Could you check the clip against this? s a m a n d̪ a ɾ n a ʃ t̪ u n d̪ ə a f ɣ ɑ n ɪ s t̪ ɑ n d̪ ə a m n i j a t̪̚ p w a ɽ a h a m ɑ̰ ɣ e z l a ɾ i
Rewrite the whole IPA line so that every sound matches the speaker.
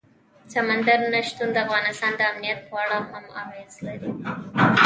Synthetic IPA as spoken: s a m a n d̪ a ɾ n a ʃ t̪ u n d̪ ə a f ɣ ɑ n ɪ s t̪ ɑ n d̪ ə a m n i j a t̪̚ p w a ɽ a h a m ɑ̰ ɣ e z l a ɾ i